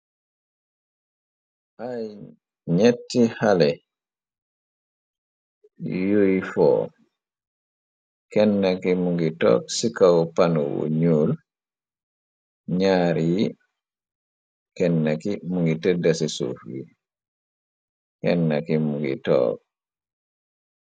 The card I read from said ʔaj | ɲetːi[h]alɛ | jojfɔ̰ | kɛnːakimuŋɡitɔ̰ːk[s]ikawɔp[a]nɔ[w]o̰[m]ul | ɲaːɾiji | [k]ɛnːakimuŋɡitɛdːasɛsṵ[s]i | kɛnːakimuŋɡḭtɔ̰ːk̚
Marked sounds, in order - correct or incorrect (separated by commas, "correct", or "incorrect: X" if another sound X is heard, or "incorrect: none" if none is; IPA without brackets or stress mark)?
correct, correct, correct, correct, incorrect: ɲ, correct, incorrect: f